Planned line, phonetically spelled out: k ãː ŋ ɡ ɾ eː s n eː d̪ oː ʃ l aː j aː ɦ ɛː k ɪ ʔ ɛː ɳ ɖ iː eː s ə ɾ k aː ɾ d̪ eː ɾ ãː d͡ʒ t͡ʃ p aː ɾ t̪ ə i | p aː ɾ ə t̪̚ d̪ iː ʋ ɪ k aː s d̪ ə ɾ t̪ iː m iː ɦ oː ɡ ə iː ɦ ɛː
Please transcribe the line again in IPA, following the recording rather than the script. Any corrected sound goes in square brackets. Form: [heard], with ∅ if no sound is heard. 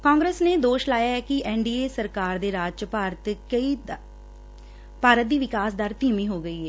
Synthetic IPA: k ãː ŋ ɡ ɾ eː s n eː d̪ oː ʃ l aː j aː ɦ ɛː k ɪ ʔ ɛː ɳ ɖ iː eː s ə ɾ k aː ɾ d̪ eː ɾ [aː] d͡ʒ t͡ʃ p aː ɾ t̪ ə i | p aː ɾ ə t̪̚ d̪ iː ʋ ɪ k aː s d̪ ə ɾ t̪ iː m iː ɦ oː ɡ ə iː ɦ ɛː